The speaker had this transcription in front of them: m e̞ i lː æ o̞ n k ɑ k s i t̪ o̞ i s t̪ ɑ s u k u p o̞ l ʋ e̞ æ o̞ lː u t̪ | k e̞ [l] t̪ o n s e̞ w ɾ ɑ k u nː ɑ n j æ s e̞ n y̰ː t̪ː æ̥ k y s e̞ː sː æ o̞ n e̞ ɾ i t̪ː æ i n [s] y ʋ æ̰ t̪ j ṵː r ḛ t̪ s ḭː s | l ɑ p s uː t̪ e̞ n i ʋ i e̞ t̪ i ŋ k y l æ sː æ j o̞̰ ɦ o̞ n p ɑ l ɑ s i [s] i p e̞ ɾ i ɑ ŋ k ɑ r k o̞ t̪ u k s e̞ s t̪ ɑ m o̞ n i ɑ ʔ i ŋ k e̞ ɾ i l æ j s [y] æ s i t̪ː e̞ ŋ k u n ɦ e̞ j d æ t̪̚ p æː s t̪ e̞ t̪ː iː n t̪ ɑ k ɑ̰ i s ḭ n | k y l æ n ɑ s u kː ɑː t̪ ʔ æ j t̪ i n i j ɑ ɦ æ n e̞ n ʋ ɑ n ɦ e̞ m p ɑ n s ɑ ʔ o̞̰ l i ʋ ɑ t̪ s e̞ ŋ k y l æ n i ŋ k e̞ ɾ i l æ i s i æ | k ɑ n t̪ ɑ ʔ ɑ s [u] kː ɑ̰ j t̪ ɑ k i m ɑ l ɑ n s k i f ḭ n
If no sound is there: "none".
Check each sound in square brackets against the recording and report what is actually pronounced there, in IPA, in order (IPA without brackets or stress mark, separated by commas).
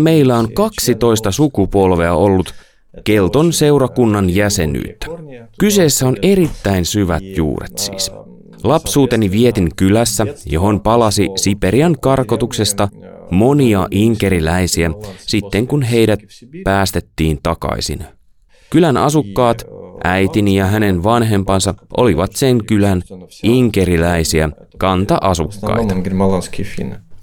l, s, s, i, u